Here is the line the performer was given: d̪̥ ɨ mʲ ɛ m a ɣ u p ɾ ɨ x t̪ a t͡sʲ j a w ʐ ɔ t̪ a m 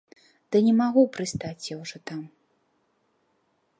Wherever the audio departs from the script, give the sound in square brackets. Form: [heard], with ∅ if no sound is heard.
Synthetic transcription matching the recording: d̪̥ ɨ [nʲ] ɛ m a ɣ u p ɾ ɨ [s] t̪ a t͡sʲ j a w ʐ ɔ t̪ a m